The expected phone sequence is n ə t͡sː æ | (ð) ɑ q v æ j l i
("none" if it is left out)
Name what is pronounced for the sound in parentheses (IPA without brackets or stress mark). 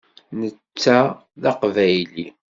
ð